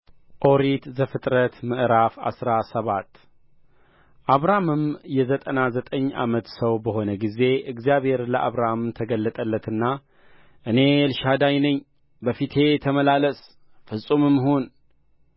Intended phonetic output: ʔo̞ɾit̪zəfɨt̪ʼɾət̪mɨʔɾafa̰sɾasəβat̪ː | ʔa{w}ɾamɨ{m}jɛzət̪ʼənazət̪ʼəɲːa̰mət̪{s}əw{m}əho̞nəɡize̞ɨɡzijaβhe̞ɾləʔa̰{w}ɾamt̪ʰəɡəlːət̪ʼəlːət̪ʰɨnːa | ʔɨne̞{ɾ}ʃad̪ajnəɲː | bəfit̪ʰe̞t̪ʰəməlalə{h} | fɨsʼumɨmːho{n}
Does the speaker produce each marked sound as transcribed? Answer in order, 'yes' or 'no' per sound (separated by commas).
no, yes, yes, no, no, no, no, yes